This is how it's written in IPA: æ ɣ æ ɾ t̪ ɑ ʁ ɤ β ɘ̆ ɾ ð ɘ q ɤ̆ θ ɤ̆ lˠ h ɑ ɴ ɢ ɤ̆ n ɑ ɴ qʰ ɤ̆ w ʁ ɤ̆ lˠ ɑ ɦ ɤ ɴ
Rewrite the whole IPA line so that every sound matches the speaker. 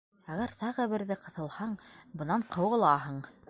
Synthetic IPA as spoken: æ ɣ æ ɾ t̪ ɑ ʁ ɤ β ɘ̆ ɾ ð ɘ q ɤ̆ θ ɤ̆ lˠ h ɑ ɴ b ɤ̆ n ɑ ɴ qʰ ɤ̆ w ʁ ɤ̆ lˠ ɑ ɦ ɤ ɴ